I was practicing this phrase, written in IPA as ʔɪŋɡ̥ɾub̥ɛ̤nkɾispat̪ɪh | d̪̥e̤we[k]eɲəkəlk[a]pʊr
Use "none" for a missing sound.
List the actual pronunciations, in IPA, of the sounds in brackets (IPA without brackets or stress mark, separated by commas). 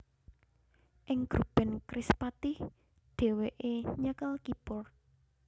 ʔ, i